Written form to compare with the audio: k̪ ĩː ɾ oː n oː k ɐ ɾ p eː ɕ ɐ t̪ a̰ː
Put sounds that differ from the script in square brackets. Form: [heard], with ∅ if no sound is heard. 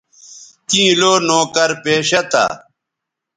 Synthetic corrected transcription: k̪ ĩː [l] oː n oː k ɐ ɾ p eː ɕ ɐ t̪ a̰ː